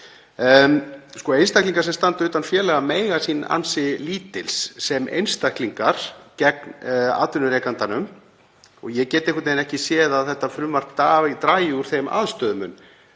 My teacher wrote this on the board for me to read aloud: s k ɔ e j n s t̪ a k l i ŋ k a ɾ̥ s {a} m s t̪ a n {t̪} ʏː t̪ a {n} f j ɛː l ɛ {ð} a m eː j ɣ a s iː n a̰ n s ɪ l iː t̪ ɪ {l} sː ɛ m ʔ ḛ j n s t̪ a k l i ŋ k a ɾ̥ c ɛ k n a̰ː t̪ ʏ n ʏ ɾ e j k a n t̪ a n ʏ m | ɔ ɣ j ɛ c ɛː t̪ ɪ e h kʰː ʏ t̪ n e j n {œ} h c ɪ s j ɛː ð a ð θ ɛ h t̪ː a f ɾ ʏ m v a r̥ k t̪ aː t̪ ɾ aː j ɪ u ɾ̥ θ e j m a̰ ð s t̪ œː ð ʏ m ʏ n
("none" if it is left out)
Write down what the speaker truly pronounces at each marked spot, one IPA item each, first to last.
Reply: ɛ, t̪, n, ɣ, l, ɛ

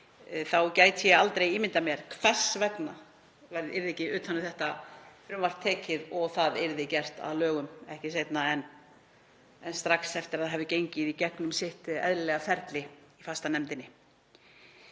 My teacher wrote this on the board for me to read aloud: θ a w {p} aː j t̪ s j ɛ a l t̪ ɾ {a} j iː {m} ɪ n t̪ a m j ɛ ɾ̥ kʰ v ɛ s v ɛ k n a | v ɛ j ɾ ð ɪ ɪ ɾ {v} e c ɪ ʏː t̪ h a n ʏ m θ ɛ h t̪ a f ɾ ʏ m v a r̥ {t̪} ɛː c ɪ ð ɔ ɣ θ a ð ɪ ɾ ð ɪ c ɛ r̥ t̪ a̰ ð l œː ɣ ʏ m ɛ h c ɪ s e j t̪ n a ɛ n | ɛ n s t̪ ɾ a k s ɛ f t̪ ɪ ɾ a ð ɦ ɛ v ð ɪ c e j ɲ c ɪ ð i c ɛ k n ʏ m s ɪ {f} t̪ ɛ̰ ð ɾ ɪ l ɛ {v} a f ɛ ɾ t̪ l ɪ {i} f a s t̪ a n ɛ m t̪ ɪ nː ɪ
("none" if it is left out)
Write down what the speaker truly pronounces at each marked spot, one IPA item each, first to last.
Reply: c, e, m, ð, t̪ʰ, h, ɣ, i

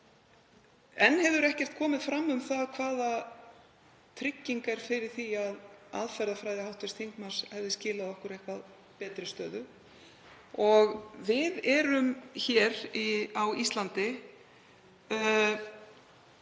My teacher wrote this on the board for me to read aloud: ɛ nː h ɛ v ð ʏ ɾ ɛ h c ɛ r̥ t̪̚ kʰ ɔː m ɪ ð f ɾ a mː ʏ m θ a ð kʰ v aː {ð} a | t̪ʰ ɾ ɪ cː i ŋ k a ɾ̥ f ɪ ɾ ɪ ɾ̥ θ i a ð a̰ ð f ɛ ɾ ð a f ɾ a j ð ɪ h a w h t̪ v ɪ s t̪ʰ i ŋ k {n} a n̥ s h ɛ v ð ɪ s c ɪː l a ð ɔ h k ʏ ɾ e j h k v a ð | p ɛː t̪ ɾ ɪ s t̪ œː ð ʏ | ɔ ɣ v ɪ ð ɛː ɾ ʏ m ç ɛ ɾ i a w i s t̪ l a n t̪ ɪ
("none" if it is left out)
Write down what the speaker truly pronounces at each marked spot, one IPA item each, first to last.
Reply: ð, m

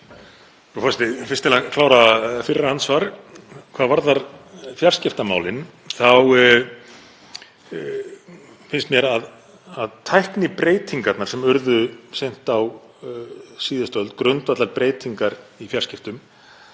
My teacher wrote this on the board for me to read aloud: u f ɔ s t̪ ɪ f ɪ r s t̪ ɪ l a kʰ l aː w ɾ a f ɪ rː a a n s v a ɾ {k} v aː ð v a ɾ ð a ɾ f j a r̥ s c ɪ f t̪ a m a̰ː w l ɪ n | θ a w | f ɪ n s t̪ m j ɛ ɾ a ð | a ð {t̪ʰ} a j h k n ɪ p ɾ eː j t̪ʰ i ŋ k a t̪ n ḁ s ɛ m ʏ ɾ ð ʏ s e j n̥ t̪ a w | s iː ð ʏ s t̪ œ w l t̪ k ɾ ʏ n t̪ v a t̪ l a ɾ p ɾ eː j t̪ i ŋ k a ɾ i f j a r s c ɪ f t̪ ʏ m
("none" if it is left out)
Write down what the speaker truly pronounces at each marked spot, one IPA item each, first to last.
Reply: kʰ, t̪ʰ

